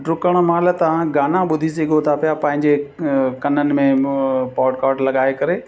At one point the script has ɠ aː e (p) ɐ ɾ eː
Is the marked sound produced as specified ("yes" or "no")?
no